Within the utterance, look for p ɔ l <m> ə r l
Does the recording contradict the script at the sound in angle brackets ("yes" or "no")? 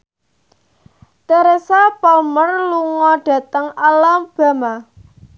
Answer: no